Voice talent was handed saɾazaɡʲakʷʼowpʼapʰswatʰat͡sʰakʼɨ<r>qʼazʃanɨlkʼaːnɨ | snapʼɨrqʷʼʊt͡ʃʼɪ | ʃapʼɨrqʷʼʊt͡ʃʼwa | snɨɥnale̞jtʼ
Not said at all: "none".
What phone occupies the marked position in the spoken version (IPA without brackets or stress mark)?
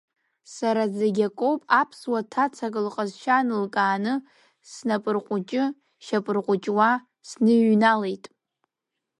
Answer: l